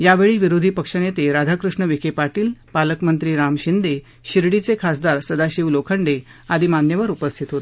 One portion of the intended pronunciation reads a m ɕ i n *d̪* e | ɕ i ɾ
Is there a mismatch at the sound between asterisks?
no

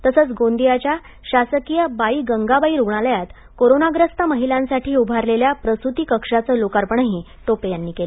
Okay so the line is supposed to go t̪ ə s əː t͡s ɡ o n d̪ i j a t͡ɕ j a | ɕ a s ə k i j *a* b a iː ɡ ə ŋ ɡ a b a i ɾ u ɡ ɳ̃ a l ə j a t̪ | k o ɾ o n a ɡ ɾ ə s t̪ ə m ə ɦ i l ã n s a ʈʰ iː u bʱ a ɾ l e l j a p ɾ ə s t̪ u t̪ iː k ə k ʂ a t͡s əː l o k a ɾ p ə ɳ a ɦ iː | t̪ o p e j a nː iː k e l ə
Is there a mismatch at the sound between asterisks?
yes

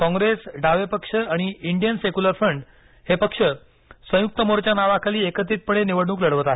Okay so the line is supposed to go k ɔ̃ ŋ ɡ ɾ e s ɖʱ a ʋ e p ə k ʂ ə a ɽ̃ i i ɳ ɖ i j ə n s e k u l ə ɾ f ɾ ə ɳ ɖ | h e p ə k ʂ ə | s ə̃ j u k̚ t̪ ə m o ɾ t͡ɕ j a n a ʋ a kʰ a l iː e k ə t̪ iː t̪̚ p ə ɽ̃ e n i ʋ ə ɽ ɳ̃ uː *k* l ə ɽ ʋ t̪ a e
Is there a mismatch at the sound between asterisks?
no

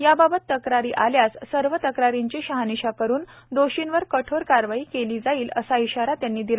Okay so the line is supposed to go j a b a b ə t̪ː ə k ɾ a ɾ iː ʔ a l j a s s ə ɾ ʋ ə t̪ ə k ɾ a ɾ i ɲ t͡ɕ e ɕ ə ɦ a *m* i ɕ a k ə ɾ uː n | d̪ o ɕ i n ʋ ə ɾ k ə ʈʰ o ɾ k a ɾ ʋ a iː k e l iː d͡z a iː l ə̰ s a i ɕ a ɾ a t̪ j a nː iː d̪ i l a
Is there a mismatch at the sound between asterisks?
yes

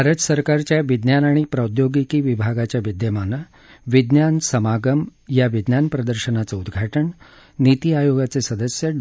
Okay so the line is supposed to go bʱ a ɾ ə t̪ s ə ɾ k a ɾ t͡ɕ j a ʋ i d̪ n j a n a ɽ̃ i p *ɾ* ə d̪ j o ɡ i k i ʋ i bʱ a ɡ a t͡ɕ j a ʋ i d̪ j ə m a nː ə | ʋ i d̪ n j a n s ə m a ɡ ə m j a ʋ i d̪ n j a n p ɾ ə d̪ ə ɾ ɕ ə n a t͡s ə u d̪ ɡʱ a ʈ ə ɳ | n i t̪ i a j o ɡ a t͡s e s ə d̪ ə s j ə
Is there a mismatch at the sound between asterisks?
no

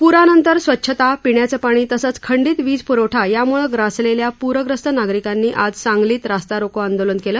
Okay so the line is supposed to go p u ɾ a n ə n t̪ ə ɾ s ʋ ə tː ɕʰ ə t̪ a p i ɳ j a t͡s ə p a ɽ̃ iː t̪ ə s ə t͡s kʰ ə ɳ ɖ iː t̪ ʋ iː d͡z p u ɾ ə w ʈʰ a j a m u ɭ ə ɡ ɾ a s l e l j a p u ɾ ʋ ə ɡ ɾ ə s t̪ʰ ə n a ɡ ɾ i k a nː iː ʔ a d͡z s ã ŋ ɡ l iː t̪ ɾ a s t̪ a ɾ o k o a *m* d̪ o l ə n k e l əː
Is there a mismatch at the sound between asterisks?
yes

